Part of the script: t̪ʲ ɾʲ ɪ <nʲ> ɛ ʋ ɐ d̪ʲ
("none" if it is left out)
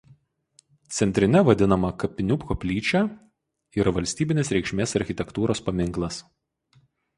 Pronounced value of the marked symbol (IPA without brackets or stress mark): nʲ